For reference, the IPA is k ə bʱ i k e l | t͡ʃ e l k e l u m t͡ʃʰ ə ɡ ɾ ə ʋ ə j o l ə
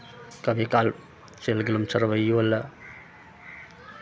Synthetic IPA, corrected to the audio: k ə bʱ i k a l | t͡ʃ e l ɡ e l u m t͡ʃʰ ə ɾ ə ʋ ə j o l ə